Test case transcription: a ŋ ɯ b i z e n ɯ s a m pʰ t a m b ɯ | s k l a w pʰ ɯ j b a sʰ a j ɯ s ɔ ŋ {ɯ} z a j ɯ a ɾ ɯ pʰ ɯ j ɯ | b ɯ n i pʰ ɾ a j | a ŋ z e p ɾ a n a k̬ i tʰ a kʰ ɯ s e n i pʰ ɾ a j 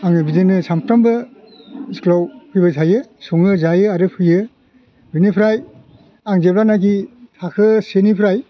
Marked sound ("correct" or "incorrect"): correct